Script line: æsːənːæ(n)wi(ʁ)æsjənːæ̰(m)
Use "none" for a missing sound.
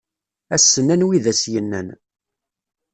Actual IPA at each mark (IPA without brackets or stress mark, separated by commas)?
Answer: n, ð, n